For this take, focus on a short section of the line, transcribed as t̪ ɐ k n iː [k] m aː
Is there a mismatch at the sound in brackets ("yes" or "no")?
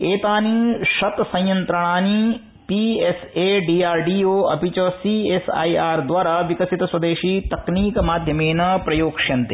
no